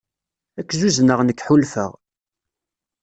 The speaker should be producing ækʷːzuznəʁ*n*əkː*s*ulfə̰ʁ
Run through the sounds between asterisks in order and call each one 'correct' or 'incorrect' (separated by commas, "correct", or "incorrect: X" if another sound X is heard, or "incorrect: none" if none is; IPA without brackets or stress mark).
correct, incorrect: ħ